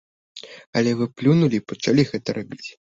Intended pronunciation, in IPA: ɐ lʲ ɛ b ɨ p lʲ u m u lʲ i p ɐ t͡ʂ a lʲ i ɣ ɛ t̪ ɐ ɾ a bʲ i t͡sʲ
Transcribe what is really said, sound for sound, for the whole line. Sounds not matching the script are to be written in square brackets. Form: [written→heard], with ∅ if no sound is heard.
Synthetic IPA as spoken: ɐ lʲ ɛ [b→v] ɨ p lʲ u [m→n] u lʲ i p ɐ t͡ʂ a lʲ i ɣ ɛ t̪ ɐ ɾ a bʲ i t͡sʲ